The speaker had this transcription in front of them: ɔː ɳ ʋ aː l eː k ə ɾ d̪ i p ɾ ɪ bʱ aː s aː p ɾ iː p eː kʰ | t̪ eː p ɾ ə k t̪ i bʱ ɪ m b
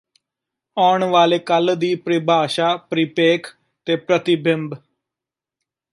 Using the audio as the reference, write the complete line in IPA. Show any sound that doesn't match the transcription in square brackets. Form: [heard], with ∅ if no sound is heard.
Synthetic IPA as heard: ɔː ɳ ʋ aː l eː k ə [l] d̪ [iː] p ɾ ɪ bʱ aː [ʃ] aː p ɾ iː p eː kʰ | t̪ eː p ɾ ə [∅] t̪ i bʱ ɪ m b